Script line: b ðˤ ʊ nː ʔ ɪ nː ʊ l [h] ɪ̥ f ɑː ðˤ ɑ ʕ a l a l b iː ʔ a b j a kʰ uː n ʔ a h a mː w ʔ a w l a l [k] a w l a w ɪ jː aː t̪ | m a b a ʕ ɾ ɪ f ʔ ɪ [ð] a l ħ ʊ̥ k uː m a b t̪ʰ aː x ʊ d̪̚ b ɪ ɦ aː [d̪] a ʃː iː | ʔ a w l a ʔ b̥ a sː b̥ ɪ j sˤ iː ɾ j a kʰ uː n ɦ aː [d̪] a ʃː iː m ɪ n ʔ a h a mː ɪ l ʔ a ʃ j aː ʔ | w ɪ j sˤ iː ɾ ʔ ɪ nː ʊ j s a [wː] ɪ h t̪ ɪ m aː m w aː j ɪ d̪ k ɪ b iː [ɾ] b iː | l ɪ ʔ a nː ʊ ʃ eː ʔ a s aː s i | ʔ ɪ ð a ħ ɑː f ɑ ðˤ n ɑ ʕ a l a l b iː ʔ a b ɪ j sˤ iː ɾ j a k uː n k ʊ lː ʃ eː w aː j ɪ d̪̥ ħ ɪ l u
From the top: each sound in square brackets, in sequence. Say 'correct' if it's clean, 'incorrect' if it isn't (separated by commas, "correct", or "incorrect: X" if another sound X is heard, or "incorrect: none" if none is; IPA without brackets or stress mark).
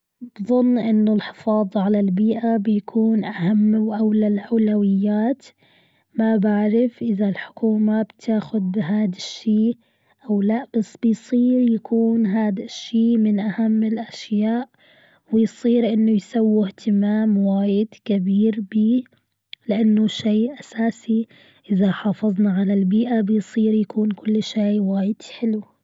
incorrect: ħ, incorrect: ʔ, correct, correct, correct, correct, correct